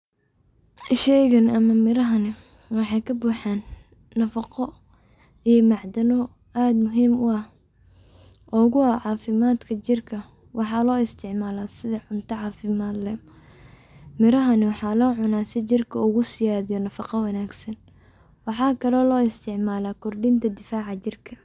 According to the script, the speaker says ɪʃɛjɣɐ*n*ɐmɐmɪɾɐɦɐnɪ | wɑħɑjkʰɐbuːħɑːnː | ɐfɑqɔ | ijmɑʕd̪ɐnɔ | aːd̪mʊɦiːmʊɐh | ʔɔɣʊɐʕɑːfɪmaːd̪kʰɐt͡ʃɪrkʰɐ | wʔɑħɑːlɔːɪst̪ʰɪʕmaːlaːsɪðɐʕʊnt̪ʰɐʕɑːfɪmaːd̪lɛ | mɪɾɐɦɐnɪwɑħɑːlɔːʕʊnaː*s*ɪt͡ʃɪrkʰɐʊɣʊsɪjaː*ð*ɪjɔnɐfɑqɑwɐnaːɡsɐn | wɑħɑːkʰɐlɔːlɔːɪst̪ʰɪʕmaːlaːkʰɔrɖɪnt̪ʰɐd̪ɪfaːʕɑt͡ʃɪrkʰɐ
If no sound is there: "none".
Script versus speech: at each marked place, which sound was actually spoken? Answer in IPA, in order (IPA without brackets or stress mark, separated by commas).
n, s, ð